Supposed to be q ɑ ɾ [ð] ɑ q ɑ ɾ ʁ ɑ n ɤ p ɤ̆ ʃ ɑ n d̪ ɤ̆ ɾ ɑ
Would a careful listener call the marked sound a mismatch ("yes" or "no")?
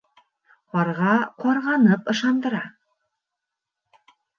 yes